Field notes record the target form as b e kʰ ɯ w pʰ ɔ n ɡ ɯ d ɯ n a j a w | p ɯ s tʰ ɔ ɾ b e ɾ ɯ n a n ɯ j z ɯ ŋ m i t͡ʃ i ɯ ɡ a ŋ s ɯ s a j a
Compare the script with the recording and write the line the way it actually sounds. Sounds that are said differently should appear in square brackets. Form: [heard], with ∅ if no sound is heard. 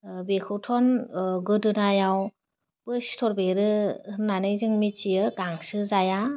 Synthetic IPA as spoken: b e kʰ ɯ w [tʰ] ɔ n ɡ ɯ d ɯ n a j a w | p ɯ s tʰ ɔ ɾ b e ɾ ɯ n a n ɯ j z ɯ ŋ m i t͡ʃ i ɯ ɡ a ŋ s ɯ [z] a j a